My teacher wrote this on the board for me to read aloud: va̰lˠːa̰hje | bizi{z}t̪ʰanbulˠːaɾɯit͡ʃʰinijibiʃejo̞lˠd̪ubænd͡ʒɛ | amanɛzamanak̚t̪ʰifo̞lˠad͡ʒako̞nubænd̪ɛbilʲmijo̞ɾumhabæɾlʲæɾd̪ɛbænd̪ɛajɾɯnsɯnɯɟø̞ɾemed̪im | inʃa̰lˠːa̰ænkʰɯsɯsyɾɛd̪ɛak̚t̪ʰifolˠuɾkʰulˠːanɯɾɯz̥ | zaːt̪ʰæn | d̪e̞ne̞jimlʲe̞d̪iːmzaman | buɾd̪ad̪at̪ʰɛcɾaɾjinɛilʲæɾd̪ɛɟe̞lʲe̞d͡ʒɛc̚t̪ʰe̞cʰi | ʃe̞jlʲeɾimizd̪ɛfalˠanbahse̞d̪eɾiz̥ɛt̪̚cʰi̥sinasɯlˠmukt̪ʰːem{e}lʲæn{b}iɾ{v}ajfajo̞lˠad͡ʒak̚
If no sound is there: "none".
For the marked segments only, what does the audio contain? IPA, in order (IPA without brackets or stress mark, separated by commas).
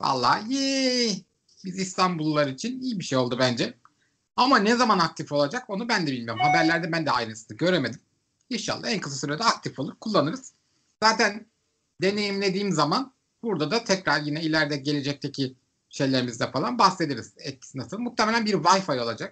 s, e, b, v